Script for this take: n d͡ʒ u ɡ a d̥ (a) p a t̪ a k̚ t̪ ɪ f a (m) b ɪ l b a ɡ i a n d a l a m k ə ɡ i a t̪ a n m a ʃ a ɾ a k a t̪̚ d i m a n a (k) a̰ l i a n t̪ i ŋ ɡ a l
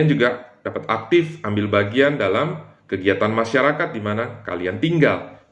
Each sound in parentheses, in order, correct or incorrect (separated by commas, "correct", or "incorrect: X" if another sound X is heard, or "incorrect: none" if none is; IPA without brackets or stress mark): correct, correct, correct